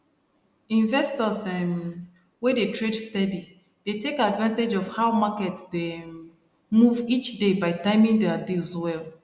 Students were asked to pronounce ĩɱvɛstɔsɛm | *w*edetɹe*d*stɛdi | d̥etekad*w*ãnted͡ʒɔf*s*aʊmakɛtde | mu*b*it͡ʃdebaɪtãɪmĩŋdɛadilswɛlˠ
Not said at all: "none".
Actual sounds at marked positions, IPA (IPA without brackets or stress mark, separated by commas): w, d, v, h, v